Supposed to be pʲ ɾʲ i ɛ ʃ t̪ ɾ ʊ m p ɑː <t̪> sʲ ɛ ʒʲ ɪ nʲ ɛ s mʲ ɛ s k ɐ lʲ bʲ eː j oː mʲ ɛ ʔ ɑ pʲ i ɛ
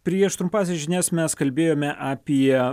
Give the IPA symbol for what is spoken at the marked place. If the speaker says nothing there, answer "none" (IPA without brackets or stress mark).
none